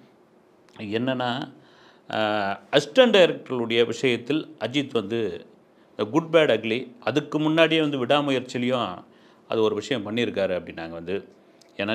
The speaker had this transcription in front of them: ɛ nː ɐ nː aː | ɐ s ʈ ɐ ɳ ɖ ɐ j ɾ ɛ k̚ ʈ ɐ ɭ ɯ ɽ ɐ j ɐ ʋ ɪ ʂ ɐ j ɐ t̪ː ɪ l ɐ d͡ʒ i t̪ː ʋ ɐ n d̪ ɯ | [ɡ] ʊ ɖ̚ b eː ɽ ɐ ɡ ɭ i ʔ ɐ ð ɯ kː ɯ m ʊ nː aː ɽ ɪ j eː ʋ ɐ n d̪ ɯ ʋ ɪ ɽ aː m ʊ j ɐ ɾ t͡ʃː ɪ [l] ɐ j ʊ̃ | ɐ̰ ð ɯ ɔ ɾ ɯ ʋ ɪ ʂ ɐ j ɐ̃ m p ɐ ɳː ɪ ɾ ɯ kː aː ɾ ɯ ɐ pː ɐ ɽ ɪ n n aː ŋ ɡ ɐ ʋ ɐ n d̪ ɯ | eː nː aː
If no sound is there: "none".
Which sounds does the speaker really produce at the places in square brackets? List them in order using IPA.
ɡ, l

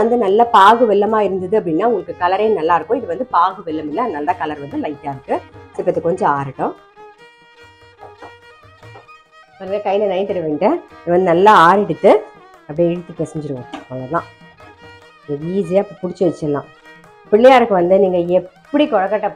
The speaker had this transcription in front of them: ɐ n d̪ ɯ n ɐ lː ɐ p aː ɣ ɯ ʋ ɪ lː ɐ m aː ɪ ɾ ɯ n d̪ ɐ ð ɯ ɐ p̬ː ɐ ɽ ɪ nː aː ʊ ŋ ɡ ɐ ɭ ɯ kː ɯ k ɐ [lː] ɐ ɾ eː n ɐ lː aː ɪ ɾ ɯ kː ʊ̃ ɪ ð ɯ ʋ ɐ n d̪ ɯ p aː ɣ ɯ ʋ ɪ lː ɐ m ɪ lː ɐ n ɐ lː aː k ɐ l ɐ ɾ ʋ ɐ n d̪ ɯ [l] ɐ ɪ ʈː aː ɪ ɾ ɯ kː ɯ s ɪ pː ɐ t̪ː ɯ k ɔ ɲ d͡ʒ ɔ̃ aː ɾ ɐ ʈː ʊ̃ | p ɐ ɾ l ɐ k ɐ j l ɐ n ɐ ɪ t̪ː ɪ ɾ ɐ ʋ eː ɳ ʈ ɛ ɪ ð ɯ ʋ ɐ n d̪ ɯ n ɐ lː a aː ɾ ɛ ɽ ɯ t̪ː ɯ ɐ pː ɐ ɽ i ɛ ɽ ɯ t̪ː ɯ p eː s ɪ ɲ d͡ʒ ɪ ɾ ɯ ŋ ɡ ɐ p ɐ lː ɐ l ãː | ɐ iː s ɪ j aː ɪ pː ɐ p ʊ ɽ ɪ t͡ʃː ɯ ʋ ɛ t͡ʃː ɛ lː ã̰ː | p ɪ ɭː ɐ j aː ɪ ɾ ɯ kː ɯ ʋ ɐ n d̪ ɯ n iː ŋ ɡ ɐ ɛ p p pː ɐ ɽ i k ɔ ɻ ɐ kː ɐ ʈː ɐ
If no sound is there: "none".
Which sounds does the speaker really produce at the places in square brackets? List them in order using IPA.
l, l

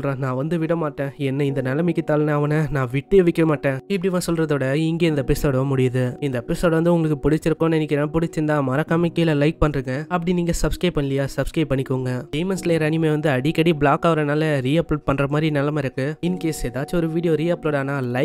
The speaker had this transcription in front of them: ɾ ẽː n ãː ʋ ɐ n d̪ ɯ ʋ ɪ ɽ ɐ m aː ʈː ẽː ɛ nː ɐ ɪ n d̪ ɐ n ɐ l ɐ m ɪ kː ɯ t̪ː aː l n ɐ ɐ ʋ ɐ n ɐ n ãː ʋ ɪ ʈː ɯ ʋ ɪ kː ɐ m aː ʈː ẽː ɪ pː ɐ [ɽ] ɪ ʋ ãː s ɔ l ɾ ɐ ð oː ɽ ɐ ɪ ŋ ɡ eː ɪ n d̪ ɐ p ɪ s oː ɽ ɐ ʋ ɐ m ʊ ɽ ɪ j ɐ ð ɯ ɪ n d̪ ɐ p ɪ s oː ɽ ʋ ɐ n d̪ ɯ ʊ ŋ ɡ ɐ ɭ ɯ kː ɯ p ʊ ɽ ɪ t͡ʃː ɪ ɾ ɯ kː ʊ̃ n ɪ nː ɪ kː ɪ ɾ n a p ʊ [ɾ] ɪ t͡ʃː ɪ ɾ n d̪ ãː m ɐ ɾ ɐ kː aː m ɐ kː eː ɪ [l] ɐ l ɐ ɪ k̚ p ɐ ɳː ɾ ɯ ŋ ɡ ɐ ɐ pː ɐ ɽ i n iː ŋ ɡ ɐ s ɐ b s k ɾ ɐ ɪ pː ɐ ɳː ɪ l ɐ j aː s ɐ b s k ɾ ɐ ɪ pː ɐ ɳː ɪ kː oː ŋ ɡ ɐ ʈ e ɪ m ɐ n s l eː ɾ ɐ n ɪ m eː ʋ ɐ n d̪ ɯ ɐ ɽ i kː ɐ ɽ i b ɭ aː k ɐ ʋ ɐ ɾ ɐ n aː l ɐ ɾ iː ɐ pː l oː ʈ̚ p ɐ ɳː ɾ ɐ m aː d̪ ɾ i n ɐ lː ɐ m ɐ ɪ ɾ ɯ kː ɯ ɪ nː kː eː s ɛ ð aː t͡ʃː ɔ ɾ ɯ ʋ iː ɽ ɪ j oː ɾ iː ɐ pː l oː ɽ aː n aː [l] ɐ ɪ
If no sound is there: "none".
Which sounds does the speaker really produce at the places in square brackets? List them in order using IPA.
ɽ, ɽ, l, l

